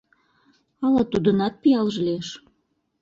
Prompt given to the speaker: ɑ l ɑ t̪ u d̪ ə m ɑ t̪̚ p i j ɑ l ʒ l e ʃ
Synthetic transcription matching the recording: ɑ l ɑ t̪ u d̪ ə n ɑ t̪̚ p i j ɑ l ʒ l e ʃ

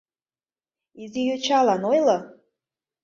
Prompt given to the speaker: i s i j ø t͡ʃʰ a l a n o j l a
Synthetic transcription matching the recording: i z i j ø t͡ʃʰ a l a n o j l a

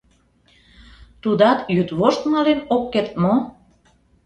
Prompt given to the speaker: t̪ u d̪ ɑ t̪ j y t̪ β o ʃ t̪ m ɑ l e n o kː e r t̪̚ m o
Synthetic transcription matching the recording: t̪ u d̪ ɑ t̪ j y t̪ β o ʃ t̪ m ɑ l e n o kː e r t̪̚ m o

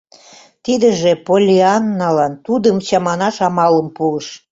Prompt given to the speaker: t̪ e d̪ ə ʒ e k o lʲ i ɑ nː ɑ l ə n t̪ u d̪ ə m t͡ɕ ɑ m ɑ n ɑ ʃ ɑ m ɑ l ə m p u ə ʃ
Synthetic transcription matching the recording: t̪ i d̪ ə ʒ e p o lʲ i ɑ nː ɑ l ɑ n t̪ u d̪ ə m t͡ɕ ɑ m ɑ n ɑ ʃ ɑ m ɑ l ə m p u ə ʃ

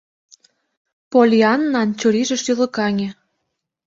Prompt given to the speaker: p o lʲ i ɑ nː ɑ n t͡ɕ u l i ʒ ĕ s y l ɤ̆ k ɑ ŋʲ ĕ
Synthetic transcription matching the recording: p o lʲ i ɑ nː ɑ n t͡ɕ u ɾ i ʒ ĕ ʃ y l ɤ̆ k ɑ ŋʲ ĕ

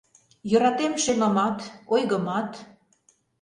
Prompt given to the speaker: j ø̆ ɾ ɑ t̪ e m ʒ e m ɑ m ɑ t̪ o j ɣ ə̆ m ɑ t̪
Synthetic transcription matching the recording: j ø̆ ɾ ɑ t̪ e m ʃ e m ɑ m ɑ t̪ o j ɣ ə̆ m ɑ t̪

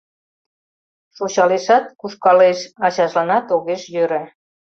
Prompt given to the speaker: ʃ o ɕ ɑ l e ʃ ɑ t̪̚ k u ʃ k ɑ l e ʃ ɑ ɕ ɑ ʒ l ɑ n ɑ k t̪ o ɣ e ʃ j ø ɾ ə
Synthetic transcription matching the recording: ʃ o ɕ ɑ l e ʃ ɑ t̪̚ k u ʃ k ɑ l e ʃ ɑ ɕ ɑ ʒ l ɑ n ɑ t̪ o ɣ e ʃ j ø ɾ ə

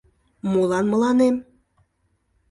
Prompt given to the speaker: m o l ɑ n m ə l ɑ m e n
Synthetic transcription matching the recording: m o l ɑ n m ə l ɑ n e m

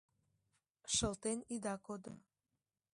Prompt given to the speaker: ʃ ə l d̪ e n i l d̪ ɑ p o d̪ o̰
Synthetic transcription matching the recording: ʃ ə l t̪ e n i d̪ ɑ k o d̪ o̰

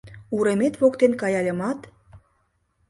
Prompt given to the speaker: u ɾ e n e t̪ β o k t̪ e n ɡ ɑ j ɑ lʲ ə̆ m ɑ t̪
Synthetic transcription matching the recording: u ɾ e m e t̪ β o k t̪ e n k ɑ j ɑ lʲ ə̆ m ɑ t̪

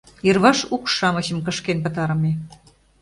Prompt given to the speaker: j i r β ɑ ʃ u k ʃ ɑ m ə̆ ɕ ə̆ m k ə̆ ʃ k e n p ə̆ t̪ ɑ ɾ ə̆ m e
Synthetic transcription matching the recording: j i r β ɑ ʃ u k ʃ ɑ m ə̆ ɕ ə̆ m k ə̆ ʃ k e n p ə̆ t̪ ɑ ɾ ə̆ m e

